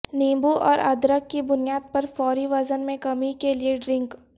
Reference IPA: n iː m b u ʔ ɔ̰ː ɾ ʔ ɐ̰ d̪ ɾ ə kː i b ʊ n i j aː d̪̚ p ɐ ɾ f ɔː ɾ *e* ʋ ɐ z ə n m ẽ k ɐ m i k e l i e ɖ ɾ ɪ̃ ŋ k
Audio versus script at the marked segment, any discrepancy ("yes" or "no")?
yes